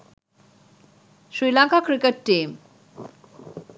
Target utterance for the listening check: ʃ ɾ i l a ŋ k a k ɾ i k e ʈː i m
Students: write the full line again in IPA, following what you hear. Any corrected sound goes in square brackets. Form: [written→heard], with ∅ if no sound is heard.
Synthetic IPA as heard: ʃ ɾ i l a ŋ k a k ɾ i k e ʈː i m